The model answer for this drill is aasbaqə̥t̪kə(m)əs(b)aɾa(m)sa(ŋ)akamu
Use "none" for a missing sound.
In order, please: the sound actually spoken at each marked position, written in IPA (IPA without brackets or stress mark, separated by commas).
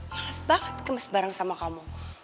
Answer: m, b, ŋ, m